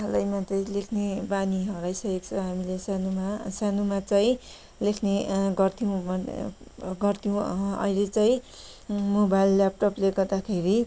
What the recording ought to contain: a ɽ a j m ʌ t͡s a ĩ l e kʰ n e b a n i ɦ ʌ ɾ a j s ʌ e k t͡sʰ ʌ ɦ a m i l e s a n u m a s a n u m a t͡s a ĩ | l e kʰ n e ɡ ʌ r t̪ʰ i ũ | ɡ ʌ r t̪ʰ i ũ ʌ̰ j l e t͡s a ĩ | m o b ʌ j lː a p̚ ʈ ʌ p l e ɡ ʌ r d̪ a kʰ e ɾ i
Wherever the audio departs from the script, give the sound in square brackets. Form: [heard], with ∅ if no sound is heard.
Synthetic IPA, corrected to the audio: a [l] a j m [a] t͡s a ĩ l e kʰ n e b a n i ɦ ʌ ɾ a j s ʌ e k t͡sʰ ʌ ɦ a m i l e s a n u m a s a n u m a t͡s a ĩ | l e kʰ n e ɡ ʌ r t̪ʰ i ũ | ɡ ʌ r t̪ʰ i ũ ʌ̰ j l e t͡s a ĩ | m o b [a] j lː a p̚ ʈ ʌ p l e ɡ ʌ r d̪ a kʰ e ɾ i